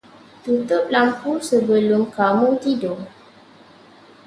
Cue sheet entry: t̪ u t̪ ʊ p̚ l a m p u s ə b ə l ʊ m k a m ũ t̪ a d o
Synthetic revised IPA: t̪ u t̪ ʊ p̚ l a m p u s ə b ə l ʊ m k a m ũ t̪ i d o

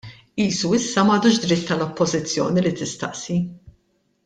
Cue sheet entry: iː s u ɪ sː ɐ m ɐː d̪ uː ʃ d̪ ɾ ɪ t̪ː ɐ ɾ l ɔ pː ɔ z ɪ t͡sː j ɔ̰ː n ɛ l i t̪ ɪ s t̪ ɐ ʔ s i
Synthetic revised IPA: iː s u ɪ sː ɐ m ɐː d̪ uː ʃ d̪ ɾ ɪ t̪ː ɐ l ɔ pː ɔ z ɪ t͡sː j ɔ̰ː n i l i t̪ ɪ s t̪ ɐ ʔ s i

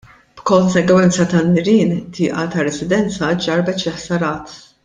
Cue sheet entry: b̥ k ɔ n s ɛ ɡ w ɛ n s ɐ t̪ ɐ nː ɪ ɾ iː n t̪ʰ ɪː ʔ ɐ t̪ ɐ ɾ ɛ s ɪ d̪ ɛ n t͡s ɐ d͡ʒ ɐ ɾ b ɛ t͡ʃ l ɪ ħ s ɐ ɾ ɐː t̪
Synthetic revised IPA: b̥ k ɔ n s ɛ ɡ w ɛ n t͡s ɐ t̪ ɐ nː ɪ ɾ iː n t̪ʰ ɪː ʔ ɐ t̪ ɐ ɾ ɛ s ɪ d̪ ɛ n t͡s ɐ d͡ʒ ɐ ɾ b ɛ t͡ʃ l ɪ ħ s ɐ ɾ ɐː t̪

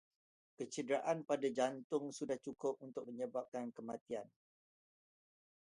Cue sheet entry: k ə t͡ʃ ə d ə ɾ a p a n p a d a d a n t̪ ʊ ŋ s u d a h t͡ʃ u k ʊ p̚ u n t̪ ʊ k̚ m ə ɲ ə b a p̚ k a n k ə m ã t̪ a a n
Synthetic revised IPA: k ə t͡ʃ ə d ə ɾ a ʔ a n p a d a d͡ʒ a n t̪ ʊ ŋ s u d a h t͡ʃ u k ʊ p̚ u n t̪ ʊ k̚ m ə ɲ ə b a p̚ k a n k ə m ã t̪ i a n

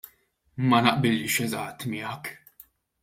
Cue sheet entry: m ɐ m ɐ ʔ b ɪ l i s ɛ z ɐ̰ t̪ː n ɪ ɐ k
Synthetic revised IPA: m ɐ n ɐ ʔ b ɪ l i ʃ ɛ z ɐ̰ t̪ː m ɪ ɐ k

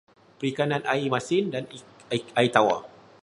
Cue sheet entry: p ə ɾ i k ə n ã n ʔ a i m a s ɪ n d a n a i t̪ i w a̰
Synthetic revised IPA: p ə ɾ i k a n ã n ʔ a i m a s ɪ n d a n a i t̪ a w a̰

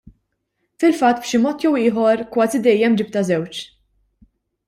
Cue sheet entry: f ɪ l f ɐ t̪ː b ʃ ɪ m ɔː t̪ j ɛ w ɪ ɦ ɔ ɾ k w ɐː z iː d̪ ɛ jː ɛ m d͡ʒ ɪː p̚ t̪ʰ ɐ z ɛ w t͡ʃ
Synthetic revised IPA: f ɪ l f ɐ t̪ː b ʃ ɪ m ɔː t̪ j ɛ w ɪː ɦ ɔ ɾ k w ɐː z i d̪ ɛ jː ɛ m d͡ʒ ɪ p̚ t̪ ɐ z ɛ w t͡ʃ

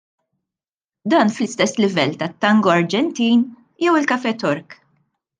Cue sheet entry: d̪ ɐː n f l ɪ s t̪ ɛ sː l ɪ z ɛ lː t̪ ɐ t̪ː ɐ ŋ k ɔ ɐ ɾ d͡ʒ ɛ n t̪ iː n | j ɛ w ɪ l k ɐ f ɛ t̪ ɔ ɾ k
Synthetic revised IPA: d̪ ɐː n f l ɪ s t̪ ɛ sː l ɪ v ɛ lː t̪ ɐ t̪ː ɐ ŋ ɡ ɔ ɐ ɾ d͡ʒ ɛ n t̪ iː n | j ɛ w ɪ l k ɐ f ɛ t̪ ɔ ɾ k

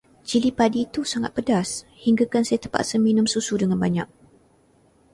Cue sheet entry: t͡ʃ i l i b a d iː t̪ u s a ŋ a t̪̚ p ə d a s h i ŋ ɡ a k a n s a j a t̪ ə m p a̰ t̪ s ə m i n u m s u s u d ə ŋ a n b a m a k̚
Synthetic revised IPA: t͡ʃ i l i p a d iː t̪ u s a ŋ a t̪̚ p ə d a s h i ŋ ɡ a k a n s a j a t̪ ə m p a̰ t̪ s ə m i n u m s u s u d ə ŋ a n b a ɲ a k̚

